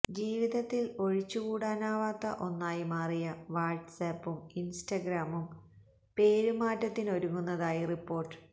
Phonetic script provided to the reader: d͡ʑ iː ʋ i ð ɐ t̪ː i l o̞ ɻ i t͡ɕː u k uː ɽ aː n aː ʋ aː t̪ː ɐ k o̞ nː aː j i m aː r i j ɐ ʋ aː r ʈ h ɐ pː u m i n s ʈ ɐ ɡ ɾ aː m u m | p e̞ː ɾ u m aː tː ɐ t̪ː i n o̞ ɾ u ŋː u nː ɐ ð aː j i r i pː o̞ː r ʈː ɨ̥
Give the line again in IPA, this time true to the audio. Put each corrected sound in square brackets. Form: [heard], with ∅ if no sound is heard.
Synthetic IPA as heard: d͡ʑ iː ʋ i ð ɐ t̪ː i l o̞ ɻ i t͡ɕː u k uː ɽ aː n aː ʋ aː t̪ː ɐ [ʔ] o̞ nː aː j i m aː r i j ɐ ʋ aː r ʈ [s] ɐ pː u m i n s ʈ ɐ ɡ ɾ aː m u m | p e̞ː ɾ u m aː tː ɐ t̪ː i n o̞ ɾ u ŋː u nː ɐ ð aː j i r i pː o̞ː r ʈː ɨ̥

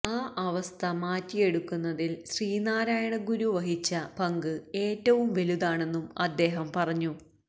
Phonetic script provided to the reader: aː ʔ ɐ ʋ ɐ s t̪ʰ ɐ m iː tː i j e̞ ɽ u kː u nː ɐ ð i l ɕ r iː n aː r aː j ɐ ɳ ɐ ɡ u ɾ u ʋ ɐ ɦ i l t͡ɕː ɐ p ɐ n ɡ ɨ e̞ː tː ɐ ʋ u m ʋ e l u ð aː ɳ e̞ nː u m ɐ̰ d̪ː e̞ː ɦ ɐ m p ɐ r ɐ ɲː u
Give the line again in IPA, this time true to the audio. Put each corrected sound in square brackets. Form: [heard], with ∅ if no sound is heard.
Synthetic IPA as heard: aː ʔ ɐ ʋ ɐ s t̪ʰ ɐ m [aː] tː i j e̞ ɽ u kː u nː ɐ ð i l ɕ r iː n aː [ɾ] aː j ɐ ɳ ɐ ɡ u ɾ u ʋ ɐ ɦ i [∅] t͡ɕː ɐ p ɐ [ŋ] ɡ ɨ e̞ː tː ɐ ʋ u m ʋ e l u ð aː ɳ e̞ nː u m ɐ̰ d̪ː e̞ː ɦ ɐ m p ɐ r ɐ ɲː u

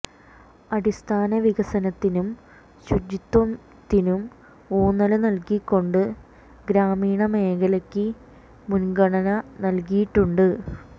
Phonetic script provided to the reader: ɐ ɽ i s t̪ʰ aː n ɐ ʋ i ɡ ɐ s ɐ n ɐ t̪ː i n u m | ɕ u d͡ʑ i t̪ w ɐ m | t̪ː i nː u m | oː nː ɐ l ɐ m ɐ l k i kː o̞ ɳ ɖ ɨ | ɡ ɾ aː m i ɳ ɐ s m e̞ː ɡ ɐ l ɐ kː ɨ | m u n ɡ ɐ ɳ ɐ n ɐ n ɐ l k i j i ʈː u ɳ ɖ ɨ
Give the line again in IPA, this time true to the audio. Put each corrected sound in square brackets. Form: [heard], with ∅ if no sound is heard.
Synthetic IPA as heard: ɐ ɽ i s t̪ʰ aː n ɐ ʋ i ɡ ɐ s ɐ n ɐ t̪ː i n u m | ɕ u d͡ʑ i t̪ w ɐ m | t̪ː i [n] u m | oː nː ɐ l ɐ [n] ɐ l k i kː o̞ ɳ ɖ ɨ | ɡ ɾ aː m [iː] ɳ ɐ [∅] m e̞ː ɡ ɐ l ɐ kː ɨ | m u n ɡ ɐ ɳ ɐ n ɐ n ɐ l k i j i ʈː u ɳ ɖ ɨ

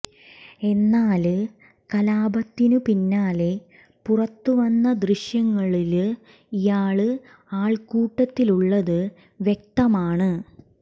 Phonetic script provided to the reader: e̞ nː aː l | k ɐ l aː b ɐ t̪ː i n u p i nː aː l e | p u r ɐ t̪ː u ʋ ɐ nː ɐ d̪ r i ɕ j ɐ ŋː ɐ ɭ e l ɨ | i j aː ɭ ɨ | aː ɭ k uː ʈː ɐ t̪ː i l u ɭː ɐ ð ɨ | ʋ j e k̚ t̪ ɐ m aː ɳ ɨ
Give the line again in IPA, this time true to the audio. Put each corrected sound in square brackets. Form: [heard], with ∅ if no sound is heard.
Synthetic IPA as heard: e̞ nː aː l | k ɐ l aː b ɐ t̪ː i n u p i nː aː l e | p u r ɐ t̪ː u ʋ ɐ nː ɐ d̪ r i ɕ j ɐ ŋː ɐ ɭ [i] l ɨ | i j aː ɭ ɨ | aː ɭ k uː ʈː ɐ t̪ː i l u ɭː ɐ ð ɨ | ʋ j e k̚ t̪ ɐ m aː ɳ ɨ

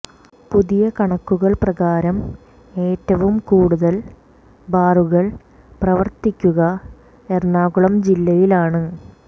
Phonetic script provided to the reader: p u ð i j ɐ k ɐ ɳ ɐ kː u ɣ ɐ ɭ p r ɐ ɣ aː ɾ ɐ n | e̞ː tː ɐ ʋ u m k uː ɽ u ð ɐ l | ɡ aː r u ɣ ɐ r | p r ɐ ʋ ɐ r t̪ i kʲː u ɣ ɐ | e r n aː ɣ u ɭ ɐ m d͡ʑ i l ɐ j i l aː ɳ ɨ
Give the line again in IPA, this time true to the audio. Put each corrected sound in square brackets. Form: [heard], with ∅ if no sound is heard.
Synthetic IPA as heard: p u ð i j ɐ k ɐ ɳ ɐ kː u ɣ ɐ ɭ p r ɐ ɣ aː ɾ ɐ [m] | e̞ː tː ɐ ʋ u m k uː ɽ u ð ɐ l | [b] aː r u ɣ ɐ [ɭ] | p r ɐ ʋ ɐ r t̪ i kʲː u ɣ ɐ | e r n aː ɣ u ɭ ɐ m d͡ʑ i [lː] ɐ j i l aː ɳ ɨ

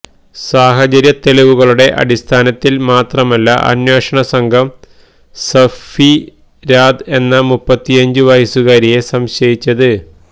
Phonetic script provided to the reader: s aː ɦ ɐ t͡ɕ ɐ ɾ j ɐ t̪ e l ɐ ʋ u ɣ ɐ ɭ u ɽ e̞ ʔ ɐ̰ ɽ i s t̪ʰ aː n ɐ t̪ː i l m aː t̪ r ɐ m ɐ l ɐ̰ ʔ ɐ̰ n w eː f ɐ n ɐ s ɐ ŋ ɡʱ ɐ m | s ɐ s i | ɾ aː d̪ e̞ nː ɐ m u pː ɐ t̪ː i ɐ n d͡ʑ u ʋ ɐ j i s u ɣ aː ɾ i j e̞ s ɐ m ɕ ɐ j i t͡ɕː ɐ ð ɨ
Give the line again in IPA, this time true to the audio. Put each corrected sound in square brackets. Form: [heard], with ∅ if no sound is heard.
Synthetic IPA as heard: s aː ɦ ɐ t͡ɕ ɐ ɾ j ɐ t̪ e l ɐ ʋ u ɣ ɐ ɭ u ɽ e̞ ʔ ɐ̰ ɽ i s t̪ʰ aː n ɐ t̪ː i l m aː t̪ r ɐ m ɐ [lː] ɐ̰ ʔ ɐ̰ n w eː [ʂ] ɐ [ɳ] ɐ s ɐ ŋ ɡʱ ɐ m | s ɐ [f] i | ɾ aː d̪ e̞ nː ɐ m u pː ɐ t̪ː i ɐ [ɲ] d͡ʑ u ʋ ɐ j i s u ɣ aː ɾ i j e̞ s ɐ m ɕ ɐ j i t͡ɕː ɐ ð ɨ

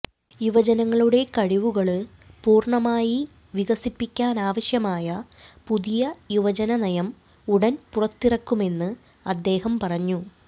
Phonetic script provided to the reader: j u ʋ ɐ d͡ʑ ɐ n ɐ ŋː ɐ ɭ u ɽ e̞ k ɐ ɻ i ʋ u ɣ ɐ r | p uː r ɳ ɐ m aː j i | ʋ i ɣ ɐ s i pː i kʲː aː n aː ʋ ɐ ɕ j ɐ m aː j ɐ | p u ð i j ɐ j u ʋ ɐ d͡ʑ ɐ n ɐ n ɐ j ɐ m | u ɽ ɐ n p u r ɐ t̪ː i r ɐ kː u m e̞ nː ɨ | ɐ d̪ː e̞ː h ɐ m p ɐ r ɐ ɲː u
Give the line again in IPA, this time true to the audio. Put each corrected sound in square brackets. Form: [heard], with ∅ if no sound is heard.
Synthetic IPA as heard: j u ʋ ɐ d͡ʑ ɐ n ɐ ŋː ɐ ɭ u ɽ e̞ k ɐ ɻ i ʋ u ɣ ɐ [ɭ] | p uː r ɳ ɐ m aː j i | ʋ i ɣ ɐ s i pː i kʲː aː n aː ʋ ɐ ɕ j ɐ m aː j ɐ | p u ð i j ɐ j u ʋ ɐ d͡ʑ ɐ n ɐ n ɐ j ɐ m | u ɽ ɐ n p u r ɐ t̪ː i r ɐ kː u m e̞ nː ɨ | ɐ d̪ː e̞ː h ɐ m p ɐ r ɐ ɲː u

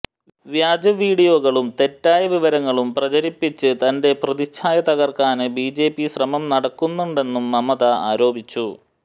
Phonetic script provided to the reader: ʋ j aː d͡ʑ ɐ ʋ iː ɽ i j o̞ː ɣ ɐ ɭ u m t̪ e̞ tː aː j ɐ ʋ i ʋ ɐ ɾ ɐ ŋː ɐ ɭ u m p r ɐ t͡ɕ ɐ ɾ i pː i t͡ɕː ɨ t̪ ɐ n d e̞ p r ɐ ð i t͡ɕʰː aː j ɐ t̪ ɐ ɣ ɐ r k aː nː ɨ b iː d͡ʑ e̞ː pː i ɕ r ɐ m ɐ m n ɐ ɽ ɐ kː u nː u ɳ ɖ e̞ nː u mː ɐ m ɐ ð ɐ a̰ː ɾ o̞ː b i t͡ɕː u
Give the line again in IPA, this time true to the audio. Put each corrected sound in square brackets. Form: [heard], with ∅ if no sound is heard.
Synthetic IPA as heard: ʋ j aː d͡ʑ ɐ ʋ iː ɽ i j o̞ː ɣ ɐ ɭ u m t̪ e̞ tː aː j ɐ ʋ i ʋ ɐ ɾ ɐ ŋː ɐ ɭ u m p r ɐ t͡ɕ ɐ ɾ i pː i t͡ɕː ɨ t̪ ɐ n d e̞ p r ɐ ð i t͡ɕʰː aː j ɐ t̪ ɐ ɣ ɐ r k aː [n] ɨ b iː d͡ʑ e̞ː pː i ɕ r ɐ m ɐ m n ɐ ɽ ɐ kː u nː u ɳ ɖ e̞ nː u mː ɐ m ɐ ð ɐ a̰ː ɾ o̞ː b i t͡ɕː u

